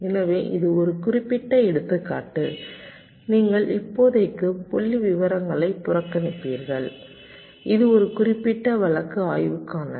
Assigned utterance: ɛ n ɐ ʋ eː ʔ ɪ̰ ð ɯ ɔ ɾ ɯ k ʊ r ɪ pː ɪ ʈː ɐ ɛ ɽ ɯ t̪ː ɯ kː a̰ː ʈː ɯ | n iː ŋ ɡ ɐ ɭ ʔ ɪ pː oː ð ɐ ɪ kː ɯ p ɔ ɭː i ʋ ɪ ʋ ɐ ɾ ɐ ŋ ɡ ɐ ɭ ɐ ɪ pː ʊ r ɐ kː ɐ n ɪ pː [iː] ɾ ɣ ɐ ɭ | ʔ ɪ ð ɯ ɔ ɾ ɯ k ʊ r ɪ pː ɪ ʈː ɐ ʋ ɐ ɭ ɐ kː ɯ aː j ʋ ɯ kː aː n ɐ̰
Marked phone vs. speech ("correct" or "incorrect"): correct